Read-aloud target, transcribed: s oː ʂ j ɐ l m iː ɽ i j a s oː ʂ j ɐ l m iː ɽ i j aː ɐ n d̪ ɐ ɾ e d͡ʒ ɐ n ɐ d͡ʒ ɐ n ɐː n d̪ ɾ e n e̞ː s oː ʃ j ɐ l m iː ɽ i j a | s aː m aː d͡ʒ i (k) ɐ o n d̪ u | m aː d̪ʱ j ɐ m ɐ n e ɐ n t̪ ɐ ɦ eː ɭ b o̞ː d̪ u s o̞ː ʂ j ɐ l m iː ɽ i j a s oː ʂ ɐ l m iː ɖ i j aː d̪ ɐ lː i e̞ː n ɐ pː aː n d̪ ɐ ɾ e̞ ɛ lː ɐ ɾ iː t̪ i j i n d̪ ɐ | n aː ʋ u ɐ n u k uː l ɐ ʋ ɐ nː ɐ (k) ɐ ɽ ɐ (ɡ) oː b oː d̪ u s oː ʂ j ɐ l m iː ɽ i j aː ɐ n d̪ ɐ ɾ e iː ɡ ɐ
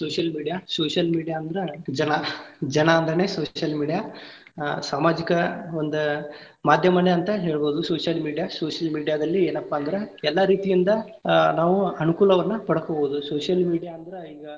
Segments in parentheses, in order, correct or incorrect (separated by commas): correct, incorrect, incorrect